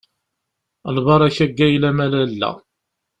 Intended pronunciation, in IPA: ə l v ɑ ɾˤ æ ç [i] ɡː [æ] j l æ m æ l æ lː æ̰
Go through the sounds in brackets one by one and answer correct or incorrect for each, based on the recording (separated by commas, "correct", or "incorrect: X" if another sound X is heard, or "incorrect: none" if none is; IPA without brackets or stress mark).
incorrect: æ, correct